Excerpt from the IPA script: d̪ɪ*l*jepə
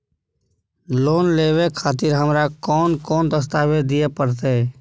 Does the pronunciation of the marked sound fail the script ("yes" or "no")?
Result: yes